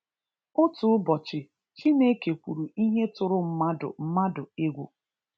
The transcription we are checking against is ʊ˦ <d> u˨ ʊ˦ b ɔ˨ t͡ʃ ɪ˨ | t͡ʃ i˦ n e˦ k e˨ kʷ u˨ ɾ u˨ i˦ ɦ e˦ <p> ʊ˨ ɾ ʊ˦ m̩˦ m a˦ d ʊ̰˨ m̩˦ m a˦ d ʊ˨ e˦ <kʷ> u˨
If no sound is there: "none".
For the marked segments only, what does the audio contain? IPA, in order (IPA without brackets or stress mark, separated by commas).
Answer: t, t, ɡʷ